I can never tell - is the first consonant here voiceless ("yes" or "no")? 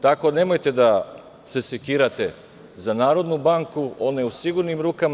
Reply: yes